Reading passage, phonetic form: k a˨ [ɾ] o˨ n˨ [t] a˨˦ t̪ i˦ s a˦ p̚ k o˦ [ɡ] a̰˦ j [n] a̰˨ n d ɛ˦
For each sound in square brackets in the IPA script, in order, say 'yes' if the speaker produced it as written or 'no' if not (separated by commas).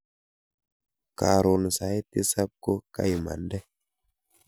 yes, no, no, no